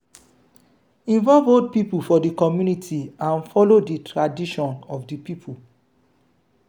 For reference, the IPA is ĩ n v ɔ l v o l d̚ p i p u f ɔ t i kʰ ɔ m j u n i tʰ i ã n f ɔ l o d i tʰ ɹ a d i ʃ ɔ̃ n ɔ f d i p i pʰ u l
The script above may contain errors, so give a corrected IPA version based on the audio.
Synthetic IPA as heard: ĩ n v ɔ l v o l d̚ p i p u f ɔ d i k ɔ m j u n i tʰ i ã n f ɔ l o d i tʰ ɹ a d i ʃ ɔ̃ n ɔ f d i p i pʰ u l

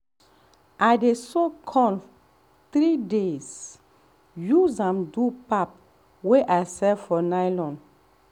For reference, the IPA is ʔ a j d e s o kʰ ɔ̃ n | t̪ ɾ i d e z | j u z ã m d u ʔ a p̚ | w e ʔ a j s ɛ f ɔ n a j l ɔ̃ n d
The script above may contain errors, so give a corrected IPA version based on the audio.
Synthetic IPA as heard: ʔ a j d e s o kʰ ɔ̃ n | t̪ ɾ i d e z | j u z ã m d u p a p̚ | w e ʔ a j s ɛ f ɔ n a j l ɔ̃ n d

